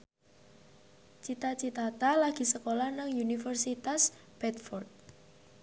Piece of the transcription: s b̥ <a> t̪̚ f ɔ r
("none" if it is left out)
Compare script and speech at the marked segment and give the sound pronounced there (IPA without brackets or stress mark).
ɛ